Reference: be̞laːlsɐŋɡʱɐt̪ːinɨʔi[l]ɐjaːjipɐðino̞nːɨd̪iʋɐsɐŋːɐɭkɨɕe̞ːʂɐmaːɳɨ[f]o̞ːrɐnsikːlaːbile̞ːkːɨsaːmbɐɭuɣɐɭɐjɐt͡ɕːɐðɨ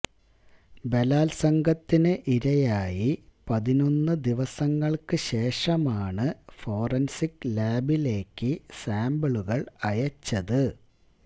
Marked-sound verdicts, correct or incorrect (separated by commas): incorrect, correct